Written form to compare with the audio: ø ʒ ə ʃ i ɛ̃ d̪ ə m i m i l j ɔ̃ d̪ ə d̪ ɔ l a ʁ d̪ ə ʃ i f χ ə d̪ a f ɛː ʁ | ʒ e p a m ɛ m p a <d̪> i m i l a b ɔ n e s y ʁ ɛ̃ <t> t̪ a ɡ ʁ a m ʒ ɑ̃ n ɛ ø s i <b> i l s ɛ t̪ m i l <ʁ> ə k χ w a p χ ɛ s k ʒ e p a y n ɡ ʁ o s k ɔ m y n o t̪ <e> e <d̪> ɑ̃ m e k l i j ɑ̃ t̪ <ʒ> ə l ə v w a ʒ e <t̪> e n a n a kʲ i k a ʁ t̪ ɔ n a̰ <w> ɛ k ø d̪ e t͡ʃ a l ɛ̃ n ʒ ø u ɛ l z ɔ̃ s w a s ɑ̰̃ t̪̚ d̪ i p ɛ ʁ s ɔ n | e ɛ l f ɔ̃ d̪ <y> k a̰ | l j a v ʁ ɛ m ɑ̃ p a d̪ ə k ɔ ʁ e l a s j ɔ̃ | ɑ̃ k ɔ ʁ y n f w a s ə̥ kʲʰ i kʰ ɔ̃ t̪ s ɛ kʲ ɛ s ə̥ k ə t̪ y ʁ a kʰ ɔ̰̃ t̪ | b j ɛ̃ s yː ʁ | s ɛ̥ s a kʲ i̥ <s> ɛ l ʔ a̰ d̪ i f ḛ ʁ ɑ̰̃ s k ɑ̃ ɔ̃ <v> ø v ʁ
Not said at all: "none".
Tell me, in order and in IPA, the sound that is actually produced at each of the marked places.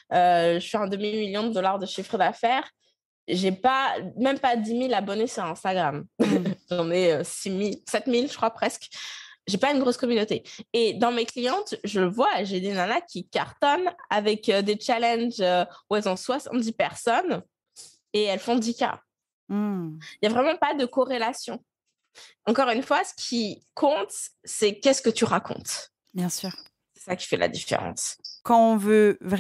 d̪, s, m, ʒ, e, d̪, ʒ, d̪, v, i, f, v

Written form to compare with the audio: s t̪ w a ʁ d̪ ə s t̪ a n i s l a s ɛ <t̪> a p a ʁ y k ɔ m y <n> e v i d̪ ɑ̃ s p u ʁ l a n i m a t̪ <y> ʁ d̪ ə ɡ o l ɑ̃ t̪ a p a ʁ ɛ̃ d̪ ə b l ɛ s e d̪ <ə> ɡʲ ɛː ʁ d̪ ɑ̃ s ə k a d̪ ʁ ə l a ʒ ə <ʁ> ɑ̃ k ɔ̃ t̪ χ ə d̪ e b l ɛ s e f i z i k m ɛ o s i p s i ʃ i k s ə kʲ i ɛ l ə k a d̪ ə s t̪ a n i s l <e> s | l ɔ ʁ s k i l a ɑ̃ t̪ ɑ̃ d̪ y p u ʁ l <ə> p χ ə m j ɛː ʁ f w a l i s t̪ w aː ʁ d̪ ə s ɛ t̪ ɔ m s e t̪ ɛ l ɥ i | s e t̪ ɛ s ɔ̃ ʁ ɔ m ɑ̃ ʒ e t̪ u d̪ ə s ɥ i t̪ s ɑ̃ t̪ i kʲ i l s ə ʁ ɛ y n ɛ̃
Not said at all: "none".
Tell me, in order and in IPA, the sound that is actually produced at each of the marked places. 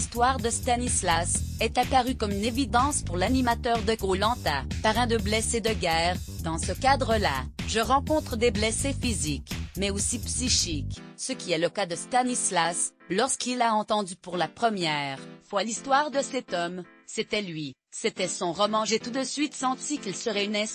t̪, n, œ, ə, ʁ, a, a

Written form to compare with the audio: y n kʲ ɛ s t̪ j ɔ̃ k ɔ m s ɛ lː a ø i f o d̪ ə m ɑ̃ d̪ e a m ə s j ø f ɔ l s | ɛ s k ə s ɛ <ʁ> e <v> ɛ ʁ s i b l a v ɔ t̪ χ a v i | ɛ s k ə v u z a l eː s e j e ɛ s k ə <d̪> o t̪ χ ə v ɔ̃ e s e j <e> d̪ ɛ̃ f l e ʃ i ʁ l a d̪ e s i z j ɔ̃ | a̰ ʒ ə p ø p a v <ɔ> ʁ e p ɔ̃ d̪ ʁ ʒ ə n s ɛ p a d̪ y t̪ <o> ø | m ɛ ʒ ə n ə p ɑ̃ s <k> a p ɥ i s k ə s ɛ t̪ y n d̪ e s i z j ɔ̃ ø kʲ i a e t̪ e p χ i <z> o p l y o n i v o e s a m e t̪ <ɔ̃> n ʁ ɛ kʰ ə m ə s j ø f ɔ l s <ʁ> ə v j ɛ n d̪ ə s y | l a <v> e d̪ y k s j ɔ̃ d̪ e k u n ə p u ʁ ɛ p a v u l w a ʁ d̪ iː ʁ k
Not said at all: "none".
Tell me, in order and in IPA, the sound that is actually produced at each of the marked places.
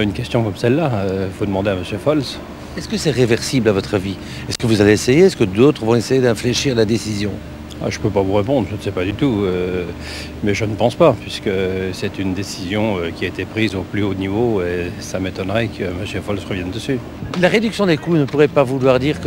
ʁ, v, d̪, e, u, u, p, z, ɔ, ʁ, ʁ

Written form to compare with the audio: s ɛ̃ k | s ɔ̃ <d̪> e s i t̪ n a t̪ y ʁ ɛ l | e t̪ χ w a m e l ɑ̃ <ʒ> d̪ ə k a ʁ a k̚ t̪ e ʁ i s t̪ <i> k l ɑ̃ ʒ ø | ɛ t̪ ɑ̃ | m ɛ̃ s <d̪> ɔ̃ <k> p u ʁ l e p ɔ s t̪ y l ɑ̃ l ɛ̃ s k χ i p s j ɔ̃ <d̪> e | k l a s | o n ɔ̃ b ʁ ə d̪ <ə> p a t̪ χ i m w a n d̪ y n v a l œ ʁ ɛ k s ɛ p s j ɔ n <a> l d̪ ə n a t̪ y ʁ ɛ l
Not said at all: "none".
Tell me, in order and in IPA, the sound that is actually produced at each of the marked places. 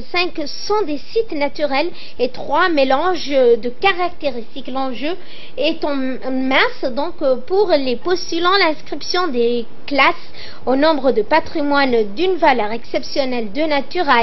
d̪, ʒ, i, d̪, k, d̪, ə, ɛ

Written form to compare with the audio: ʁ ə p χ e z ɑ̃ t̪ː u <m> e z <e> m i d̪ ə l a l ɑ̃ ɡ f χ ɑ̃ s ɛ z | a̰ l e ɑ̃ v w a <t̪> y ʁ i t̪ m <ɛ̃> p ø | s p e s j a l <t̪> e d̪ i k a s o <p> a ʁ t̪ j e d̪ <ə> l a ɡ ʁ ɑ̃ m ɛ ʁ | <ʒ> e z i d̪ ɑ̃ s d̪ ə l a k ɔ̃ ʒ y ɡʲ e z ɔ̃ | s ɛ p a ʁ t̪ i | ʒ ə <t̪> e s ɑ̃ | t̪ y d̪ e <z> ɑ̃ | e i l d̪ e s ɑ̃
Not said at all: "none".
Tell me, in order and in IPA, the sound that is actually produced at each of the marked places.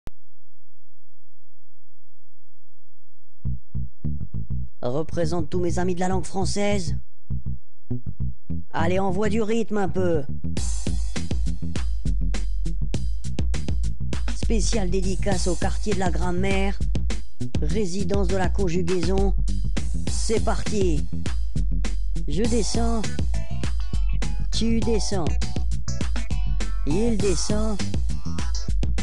m, a, d̪, ɛ̃, d̪, k, ə, ʁ, d̪, s

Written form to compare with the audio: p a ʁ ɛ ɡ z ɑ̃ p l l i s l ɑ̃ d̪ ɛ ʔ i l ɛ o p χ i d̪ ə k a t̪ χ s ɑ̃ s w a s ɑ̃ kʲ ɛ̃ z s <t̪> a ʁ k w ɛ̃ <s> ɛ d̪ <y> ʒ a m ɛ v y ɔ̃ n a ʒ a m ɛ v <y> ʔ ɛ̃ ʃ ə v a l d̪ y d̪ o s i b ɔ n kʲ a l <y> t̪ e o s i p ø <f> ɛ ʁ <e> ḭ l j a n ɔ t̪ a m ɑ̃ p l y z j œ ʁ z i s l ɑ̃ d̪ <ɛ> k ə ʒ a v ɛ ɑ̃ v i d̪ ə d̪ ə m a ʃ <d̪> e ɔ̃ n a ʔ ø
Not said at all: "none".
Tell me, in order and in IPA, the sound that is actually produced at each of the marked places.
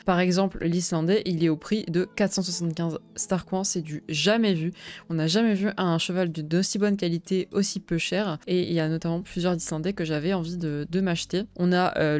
t̪, s, y, y, i, ʃ, e, ɛ, t̪

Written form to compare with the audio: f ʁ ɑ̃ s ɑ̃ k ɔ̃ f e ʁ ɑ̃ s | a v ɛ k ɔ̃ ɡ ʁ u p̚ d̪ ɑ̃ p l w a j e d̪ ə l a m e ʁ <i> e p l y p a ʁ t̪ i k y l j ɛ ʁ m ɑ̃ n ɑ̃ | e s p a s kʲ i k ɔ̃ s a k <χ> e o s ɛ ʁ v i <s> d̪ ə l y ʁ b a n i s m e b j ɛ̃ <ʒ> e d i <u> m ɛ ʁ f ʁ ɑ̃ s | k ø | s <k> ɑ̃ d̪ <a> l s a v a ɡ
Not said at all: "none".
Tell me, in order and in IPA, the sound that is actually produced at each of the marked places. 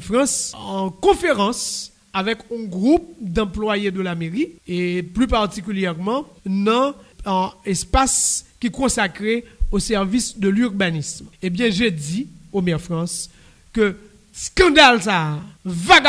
i, ʁ, s, ʒ, o, k, a

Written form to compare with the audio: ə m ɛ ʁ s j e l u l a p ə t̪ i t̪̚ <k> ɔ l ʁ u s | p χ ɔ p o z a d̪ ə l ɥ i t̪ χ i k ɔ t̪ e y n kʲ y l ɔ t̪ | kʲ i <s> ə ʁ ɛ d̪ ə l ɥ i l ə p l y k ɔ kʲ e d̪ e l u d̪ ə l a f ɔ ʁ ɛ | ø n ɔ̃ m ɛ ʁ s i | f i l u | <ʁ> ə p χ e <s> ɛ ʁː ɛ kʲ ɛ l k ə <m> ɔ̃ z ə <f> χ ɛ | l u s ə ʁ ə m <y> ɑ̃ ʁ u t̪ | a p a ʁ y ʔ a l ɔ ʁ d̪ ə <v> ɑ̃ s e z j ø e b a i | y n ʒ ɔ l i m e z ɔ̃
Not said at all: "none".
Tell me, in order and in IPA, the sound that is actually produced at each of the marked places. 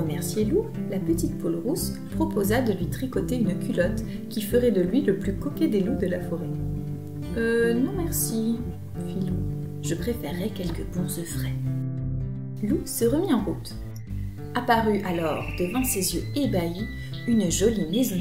p, f, ʒ, f, b, f, i, v

